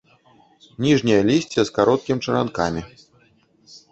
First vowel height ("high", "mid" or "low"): high